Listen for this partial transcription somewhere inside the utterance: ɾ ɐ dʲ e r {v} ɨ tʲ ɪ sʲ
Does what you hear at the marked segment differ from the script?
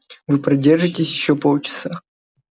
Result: yes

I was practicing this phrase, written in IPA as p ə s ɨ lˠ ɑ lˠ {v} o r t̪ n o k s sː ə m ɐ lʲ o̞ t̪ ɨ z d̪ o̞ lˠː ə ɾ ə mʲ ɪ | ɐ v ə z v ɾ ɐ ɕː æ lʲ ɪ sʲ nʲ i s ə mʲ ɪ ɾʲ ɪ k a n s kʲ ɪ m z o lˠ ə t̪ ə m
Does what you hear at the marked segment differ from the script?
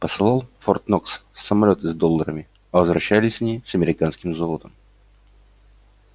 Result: yes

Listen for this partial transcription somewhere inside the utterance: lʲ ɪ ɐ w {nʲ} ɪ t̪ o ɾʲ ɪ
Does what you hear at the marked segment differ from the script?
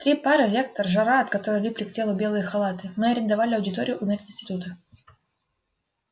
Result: yes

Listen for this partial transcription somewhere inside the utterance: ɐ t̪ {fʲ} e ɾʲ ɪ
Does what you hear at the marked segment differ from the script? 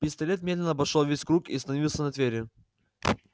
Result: yes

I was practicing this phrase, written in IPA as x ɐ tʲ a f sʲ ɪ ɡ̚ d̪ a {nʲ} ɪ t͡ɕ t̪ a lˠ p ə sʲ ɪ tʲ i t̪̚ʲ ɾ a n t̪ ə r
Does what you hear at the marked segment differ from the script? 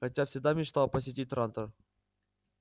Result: yes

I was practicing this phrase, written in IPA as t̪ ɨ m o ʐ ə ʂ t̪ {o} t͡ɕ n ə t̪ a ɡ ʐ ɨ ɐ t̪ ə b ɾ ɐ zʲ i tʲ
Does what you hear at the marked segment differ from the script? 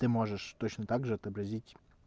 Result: no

